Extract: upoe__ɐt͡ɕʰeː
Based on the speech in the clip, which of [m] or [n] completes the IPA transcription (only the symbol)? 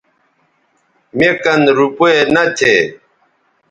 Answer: n